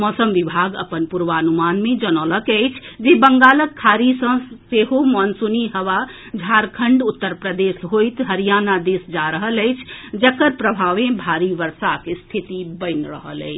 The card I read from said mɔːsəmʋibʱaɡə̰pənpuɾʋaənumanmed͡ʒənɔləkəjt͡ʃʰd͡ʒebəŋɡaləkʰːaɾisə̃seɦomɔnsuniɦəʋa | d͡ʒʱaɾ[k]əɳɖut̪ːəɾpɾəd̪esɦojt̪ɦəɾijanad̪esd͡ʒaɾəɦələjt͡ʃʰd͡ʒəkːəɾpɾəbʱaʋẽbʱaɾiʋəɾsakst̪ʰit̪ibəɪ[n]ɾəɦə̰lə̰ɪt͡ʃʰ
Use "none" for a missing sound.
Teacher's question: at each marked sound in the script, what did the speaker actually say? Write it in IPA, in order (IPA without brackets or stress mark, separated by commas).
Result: kʰ, n